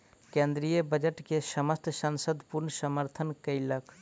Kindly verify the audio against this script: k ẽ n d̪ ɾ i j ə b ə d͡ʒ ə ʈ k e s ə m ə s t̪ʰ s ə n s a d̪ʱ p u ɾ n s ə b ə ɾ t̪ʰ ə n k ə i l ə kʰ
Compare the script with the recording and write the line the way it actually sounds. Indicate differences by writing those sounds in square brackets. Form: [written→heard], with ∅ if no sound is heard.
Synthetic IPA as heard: k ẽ n d̪ ɾ i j ə b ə d͡ʒ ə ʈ k e s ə m ə s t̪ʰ s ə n s [a→ə] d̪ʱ p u ɾ n s ə [b→m] ə ɾ t̪ʰ ə n k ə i l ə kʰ